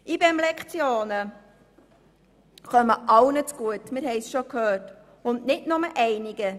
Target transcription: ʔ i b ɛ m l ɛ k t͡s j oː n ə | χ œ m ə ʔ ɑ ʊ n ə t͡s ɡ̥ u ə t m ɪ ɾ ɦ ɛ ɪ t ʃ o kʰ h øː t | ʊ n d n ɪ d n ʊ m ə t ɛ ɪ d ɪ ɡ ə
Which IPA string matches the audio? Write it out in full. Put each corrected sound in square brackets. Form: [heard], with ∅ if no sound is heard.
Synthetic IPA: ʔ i b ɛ m l ɛ k t͡s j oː n ə | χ œ m ə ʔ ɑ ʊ n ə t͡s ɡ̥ u ə t m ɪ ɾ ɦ ɛ ɪ [s] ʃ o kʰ h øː t | ʊ n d n ɪ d n ʊ m ə [ʔ] ɛ ɪ [n] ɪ ɡ ə